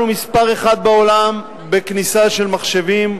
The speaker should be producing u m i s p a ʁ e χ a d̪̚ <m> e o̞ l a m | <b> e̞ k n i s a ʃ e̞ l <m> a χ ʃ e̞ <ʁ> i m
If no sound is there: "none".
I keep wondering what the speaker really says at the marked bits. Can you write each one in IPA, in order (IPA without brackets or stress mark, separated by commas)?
b, b, m, v